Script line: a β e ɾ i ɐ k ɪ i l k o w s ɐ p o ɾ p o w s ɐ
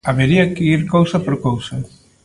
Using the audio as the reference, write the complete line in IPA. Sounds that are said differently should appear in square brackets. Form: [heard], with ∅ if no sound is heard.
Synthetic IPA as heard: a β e ɾ i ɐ k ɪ i [ɾ] k o w s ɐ p o ɾ [k] o w s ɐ

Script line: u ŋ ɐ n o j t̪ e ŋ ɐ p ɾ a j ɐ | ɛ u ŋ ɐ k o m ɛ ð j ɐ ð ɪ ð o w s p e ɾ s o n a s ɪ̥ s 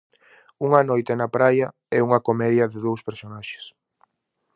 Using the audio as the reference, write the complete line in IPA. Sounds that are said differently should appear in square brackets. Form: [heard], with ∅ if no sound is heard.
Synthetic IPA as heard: u ŋ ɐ n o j t̪ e [n] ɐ p ɾ a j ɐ | ɛ u ŋ ɐ k o m ɛ ð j ɐ ð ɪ ð o w s p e ɾ s o n a [ʃ] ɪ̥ s

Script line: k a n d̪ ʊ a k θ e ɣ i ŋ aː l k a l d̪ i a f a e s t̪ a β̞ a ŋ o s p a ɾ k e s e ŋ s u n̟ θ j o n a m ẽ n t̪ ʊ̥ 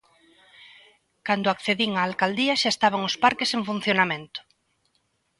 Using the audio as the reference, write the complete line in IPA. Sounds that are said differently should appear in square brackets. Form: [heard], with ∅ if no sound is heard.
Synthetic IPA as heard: k a n d̪ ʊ a k θ e [ð] i ŋ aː l k a l d̪ i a [ʃ] a e s t̪ a β̞ a ŋ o s p a ɾ k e s e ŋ [f] u n̟ θ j o n a m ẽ n t̪ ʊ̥

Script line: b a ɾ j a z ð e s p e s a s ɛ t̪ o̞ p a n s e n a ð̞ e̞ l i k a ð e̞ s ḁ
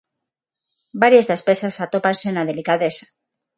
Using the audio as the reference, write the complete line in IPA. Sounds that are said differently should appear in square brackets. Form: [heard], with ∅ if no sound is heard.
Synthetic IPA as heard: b a ɾ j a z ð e s p e s a s [a] t̪ o̞ p a n s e n a ð̞ e̞ l i k a ð e̞ s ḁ

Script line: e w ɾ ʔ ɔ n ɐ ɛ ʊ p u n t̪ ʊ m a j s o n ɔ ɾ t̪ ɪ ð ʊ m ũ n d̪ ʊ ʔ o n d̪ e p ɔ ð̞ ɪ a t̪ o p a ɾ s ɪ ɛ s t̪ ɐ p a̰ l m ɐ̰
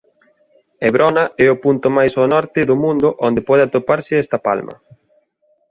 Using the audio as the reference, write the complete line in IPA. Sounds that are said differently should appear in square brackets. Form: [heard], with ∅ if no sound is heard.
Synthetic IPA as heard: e [β] ɾ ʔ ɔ n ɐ ɛ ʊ p u n t̪ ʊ m a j s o n ɔ ɾ t̪ ɪ ð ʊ m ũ n d̪ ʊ ʔ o n d̪ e p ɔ ð̞ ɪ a t̪ o p a ɾ s ɪ ɛ s t̪ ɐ p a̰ l m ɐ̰

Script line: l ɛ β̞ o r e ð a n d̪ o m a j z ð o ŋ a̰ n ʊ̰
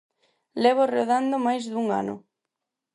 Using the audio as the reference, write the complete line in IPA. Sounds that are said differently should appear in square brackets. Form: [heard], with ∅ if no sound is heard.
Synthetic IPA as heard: l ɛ β̞ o r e ð a n d̪ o m a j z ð [u] ŋ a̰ n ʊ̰

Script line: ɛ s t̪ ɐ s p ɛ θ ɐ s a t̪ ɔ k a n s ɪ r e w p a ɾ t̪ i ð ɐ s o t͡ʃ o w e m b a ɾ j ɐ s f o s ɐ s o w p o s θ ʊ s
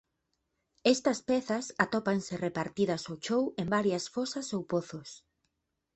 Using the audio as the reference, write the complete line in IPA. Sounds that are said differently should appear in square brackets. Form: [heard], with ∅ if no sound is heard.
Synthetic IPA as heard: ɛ s t̪ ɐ s p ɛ θ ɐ s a t̪ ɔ [p] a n s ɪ r e [∅] p a ɾ t̪ i ð ɐ s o t͡ʃ o w e m b a ɾ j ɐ s f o s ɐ s o w p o [∅] θ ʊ s

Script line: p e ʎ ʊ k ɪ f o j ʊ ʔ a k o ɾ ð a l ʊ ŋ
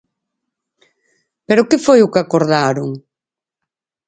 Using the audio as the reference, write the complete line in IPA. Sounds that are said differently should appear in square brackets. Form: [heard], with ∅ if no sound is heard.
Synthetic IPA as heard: p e [ɾ] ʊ k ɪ f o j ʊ [k] a k o ɾ ð a [ɾ] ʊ ŋ

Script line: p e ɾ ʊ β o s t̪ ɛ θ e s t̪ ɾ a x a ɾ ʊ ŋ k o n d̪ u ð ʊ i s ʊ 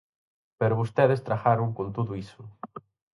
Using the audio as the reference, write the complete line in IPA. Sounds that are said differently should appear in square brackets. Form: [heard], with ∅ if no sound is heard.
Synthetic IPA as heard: p e ɾ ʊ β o s t̪ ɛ [ð] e s t̪ ɾ a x a ɾ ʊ ŋ k o n [t̪] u ð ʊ i s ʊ

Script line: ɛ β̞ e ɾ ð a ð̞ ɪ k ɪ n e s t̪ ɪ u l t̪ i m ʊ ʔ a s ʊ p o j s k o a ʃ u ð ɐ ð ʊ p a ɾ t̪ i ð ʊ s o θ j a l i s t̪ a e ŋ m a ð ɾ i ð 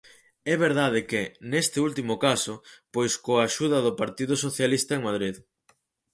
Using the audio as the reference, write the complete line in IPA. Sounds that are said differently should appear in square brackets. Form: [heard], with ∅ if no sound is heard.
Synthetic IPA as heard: ɛ β̞ e ɾ ð a ð̞ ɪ k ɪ n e s t̪ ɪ u l t̪ i m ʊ [k] a s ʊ p o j s k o a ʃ u ð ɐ ð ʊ p a ɾ t̪ i ð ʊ s o θ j a l i s t̪ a e ŋ m a ð ɾ i ð

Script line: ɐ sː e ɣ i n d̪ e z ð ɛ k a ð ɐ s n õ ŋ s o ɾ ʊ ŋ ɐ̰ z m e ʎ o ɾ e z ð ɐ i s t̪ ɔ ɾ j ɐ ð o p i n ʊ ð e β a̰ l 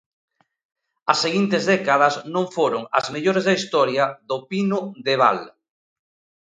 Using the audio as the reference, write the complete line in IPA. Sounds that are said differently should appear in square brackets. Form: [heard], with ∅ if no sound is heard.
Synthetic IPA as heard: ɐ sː e ɣ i n [t̪] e z ð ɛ k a ð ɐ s n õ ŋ [f] o ɾ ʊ ŋ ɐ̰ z m e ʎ o ɾ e z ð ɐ i s t̪ ɔ ɾ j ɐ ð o p i n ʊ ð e β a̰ l

